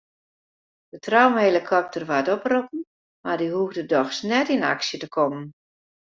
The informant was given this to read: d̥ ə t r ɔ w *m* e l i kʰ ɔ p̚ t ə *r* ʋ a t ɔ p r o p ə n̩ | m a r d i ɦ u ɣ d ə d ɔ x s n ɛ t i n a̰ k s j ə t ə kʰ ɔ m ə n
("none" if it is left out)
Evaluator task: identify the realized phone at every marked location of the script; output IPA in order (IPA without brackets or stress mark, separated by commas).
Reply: m, r